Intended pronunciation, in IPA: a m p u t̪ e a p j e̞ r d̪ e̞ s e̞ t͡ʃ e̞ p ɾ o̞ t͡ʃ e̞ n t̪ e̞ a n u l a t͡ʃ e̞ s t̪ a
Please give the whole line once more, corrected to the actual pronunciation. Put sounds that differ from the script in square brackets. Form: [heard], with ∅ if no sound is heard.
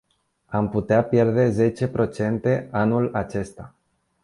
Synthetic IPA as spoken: a m p u t̪ e a p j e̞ r d̪ e̞ [z] e̞ t͡ʃ e̞ p ɾ o̞ t͡ʃ e̞ n t̪ e̞ a n u l a t͡ʃ e̞ s t̪ a